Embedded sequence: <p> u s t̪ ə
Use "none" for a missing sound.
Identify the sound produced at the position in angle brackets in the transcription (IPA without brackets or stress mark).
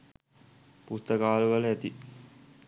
p